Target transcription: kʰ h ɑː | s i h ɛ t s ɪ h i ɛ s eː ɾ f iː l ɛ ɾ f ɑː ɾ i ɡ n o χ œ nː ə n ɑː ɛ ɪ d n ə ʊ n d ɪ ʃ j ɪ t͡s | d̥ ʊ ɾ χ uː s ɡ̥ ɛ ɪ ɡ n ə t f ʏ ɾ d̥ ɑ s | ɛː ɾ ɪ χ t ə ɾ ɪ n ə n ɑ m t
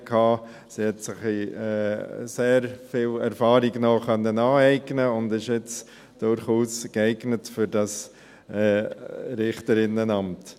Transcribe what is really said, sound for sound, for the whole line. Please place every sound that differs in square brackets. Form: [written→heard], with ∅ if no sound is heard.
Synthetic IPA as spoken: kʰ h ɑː | s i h ɛ t s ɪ [h→χ] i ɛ s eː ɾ f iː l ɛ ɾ f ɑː ɾ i ɡ n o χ œ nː ə n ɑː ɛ ɪ [d→ɡ] n ə ʊ n d ɪ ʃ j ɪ t͡s | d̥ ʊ ɾ χ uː s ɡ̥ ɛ ɪ ɡ n ə t f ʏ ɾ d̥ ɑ s | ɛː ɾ ɪ χ t ə ɾ ɪ n ə n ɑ m t